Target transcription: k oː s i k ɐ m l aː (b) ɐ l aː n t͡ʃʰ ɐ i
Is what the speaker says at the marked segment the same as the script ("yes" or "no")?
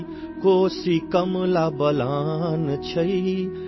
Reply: yes